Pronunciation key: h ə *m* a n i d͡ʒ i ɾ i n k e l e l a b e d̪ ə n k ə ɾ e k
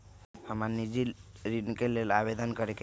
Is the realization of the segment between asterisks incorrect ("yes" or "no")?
no